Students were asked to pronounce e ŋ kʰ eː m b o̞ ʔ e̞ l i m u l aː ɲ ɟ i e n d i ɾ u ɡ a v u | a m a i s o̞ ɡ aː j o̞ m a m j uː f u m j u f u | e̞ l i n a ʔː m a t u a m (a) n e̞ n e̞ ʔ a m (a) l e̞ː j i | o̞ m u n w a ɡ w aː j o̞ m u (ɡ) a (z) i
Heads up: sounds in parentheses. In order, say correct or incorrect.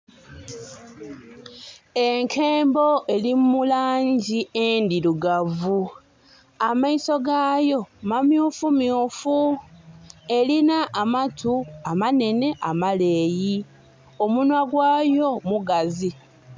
correct, correct, correct, correct

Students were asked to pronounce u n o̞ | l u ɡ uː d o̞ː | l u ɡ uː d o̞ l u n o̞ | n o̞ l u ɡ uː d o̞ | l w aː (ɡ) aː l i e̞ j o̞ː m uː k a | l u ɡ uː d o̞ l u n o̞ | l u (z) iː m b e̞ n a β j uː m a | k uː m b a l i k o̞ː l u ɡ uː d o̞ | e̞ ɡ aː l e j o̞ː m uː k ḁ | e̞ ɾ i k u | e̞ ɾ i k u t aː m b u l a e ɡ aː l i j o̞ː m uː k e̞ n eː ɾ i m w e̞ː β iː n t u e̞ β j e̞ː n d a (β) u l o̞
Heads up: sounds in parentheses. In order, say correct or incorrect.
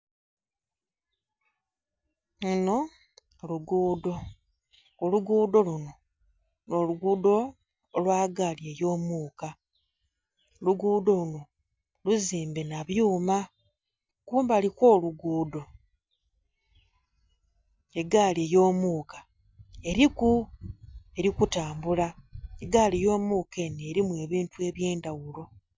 correct, correct, incorrect: w

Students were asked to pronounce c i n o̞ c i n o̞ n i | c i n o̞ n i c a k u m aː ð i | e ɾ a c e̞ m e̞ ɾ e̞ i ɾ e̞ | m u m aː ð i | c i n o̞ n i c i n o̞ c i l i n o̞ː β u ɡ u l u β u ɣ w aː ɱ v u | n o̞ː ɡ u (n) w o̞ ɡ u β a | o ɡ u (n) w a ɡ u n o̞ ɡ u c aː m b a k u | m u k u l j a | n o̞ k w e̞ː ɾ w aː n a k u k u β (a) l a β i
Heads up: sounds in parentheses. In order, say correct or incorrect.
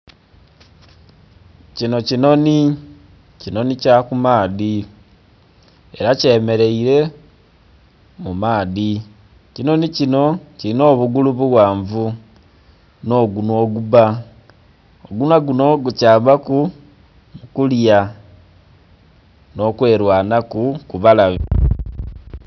correct, correct, correct

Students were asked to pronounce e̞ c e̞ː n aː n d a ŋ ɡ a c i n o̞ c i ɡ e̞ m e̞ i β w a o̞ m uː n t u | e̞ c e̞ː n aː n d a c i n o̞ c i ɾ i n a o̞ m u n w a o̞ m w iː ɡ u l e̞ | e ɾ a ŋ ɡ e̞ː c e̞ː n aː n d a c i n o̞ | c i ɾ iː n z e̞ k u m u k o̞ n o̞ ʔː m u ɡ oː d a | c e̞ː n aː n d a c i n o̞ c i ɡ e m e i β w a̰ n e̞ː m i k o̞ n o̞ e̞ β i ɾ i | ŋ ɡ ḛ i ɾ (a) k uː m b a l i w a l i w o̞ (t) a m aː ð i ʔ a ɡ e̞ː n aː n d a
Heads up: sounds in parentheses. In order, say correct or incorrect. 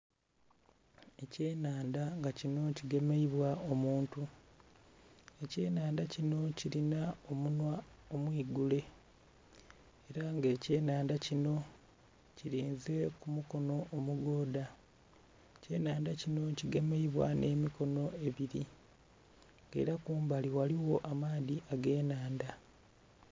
correct, incorrect: ʔ

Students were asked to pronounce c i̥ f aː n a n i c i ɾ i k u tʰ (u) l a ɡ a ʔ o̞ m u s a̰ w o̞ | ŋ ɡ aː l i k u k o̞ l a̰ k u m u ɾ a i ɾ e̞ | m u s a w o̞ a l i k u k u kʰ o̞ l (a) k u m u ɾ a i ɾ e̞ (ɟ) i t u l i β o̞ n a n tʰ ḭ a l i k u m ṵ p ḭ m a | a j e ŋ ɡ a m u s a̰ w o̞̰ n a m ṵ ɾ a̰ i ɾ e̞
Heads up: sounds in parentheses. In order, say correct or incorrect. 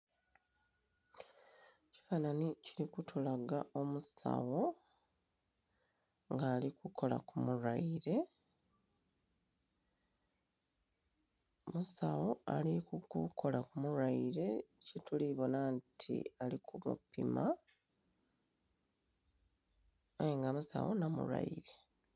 correct, correct, incorrect: c

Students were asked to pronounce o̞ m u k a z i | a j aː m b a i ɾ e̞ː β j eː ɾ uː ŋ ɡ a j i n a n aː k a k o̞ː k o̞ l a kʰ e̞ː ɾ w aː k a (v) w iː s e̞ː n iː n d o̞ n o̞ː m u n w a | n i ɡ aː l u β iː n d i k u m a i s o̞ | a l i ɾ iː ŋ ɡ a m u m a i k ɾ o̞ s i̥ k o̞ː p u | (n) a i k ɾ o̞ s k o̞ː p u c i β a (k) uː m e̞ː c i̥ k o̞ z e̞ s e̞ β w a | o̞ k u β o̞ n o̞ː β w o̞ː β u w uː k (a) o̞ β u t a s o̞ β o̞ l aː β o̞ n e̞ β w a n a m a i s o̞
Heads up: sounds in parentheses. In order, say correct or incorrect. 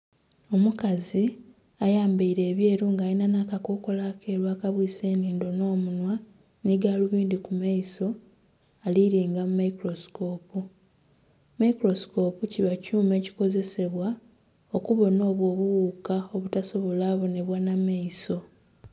incorrect: β, incorrect: m, incorrect: c, correct

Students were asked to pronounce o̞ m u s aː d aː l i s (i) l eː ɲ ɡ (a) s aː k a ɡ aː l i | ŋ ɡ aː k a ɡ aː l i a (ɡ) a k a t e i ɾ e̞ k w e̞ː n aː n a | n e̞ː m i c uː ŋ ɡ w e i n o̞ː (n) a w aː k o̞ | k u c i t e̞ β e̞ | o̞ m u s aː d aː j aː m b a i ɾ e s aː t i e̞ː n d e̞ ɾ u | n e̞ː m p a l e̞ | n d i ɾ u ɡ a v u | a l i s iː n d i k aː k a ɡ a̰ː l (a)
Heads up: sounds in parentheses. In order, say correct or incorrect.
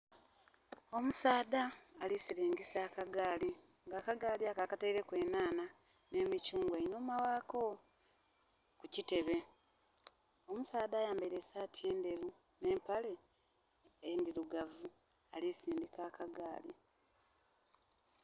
correct, incorrect: i, incorrect: k, incorrect: m, incorrect: i

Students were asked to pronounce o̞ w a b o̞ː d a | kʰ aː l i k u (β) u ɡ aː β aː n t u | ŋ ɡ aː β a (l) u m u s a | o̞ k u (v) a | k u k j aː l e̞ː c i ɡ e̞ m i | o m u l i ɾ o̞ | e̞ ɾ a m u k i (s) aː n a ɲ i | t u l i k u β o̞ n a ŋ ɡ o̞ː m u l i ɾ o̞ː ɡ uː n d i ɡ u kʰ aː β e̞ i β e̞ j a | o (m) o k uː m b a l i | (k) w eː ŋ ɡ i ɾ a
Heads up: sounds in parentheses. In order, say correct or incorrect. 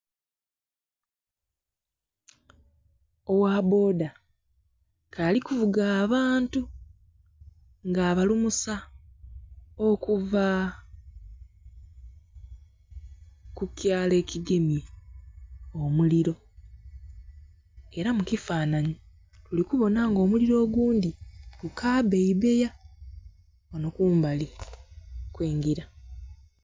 incorrect: v, correct, correct, incorrect: f, incorrect: n, correct

